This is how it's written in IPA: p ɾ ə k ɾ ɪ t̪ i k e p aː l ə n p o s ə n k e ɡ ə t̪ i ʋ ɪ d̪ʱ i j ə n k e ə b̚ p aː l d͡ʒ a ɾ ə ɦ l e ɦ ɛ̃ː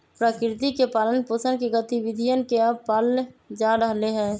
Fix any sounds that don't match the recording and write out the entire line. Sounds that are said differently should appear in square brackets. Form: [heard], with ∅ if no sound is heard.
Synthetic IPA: p ɾ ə k ɾ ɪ t̪ i k e p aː l ə n p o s ə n k e ɡ ə t̪ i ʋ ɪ d̪ʱ i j ə n k e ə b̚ p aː l d͡ʒ a ɾ ə ɦ l e ɦ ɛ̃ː